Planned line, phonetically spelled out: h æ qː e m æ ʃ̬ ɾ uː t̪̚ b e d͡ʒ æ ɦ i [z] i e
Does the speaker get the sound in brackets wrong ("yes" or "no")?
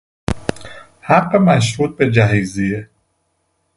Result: no